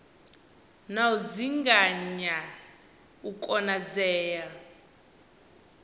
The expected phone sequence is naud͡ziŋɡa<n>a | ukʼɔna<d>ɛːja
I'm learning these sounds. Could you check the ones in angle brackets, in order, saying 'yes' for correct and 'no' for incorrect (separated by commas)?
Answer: no, no